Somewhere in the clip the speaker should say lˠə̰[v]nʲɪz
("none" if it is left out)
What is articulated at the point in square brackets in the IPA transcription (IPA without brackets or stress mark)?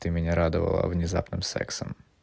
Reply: v